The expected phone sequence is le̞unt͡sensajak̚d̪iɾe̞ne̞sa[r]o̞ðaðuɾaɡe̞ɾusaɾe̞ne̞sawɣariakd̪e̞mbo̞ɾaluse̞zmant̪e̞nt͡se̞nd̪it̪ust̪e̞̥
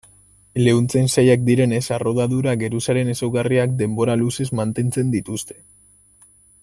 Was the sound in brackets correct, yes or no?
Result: yes